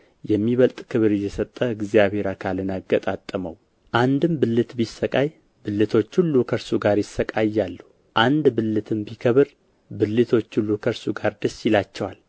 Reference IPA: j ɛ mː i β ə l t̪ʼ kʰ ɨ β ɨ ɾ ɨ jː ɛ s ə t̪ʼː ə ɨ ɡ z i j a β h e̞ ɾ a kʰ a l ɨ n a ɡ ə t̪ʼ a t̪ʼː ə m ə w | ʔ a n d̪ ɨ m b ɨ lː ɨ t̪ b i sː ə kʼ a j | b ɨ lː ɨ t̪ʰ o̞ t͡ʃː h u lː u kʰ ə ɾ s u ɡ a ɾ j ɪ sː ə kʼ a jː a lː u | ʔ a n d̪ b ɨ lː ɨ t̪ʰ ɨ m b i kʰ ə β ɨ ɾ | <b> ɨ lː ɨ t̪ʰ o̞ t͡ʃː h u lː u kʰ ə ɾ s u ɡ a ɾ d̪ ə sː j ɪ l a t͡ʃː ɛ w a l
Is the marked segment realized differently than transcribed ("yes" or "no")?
no